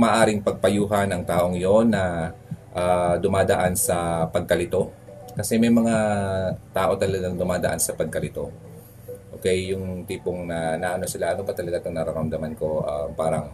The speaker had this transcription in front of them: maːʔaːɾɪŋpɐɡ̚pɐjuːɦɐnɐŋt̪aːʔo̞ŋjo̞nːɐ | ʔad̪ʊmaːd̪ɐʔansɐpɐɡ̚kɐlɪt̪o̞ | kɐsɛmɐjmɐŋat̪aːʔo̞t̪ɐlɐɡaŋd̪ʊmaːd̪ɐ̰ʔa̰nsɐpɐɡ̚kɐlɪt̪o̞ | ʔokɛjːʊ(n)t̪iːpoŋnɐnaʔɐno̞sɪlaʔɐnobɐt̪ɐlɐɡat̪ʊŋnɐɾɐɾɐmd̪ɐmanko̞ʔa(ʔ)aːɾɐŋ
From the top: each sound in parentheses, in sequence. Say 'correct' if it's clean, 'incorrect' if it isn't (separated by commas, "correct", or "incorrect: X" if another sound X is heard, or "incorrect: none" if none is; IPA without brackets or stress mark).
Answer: incorrect: ŋ, incorrect: p